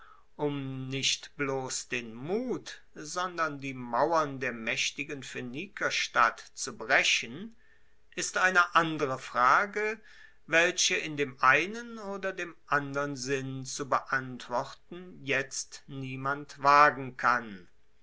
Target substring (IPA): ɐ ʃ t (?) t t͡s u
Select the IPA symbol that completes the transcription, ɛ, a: a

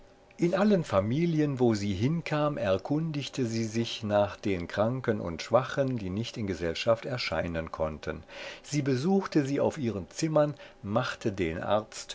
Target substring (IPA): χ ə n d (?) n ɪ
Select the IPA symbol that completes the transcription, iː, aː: iː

